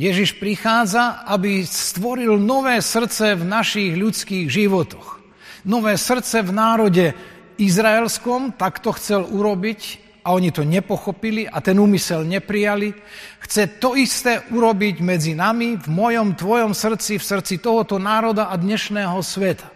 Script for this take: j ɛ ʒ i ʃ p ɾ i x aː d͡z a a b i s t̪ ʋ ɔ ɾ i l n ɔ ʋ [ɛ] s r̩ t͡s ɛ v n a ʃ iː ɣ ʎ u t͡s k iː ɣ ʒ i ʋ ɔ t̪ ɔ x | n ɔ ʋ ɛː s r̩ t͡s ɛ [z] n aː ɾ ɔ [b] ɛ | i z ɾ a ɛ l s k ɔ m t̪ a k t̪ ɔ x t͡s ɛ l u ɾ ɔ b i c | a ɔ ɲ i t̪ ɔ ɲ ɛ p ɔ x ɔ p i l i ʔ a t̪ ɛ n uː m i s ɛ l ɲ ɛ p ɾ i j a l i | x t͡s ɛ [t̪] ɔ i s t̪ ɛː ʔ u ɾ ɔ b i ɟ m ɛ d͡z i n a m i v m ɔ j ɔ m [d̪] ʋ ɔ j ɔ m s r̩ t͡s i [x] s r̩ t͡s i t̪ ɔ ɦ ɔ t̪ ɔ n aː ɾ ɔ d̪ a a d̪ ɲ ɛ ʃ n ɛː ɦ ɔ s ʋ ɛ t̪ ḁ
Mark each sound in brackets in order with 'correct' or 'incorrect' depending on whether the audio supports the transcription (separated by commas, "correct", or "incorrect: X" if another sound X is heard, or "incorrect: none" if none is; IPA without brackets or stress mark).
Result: incorrect: ɛː, incorrect: v, incorrect: ɟ, correct, incorrect: t̪, incorrect: f